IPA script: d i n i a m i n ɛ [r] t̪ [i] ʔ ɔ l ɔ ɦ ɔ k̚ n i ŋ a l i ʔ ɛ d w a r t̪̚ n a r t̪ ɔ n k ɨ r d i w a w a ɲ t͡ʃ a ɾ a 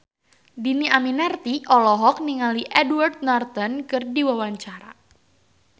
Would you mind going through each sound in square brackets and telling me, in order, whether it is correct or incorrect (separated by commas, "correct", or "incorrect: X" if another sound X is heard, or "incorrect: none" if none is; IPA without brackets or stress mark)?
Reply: correct, correct